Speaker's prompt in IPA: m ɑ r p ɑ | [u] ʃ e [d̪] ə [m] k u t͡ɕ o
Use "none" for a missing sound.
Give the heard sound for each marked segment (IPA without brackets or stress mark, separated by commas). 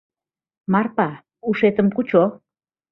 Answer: u, t̪, m